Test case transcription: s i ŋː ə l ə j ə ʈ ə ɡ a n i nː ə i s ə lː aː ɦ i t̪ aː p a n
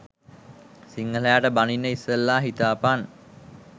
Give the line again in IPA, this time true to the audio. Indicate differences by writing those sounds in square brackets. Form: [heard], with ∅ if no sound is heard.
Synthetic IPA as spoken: s i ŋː ə l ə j [a] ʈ ə [b] a n i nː ə i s ə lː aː ɦ i t̪ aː p a n